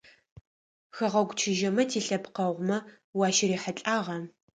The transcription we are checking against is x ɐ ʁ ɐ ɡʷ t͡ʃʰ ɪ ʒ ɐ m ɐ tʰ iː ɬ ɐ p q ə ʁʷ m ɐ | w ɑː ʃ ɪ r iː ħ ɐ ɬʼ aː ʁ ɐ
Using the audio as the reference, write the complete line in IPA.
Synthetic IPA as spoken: x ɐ ʁ ɐ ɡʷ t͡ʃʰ ɪ ʒ ɐ m ɐ tʰ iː ɬ ɐ p q ɐ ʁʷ m ɐ | w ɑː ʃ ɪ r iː ħ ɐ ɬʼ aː ʁ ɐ